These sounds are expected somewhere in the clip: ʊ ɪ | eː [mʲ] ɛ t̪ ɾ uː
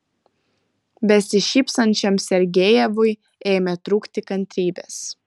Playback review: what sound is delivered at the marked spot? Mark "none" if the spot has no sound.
mʲ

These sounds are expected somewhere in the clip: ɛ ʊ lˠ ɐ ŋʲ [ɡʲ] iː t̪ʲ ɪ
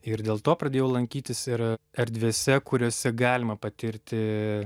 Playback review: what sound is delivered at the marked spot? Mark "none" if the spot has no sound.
kʲ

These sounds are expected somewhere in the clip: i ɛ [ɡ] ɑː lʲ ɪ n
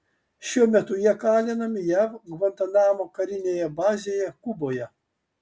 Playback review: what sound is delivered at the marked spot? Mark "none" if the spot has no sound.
k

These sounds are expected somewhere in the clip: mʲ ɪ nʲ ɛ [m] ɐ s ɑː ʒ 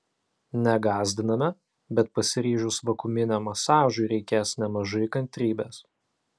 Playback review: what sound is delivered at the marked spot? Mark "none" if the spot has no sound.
m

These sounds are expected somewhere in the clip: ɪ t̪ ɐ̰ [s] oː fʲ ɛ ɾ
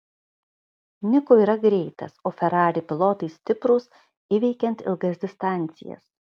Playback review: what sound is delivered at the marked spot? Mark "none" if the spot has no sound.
s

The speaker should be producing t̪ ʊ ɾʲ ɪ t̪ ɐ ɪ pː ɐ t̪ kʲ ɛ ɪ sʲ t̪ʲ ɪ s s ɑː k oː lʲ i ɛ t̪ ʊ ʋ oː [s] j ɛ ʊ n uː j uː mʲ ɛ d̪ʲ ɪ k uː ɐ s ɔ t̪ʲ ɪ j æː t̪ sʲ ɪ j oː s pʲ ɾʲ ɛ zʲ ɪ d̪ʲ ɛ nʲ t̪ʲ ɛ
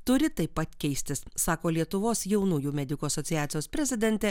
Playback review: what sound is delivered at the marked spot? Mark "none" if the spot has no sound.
s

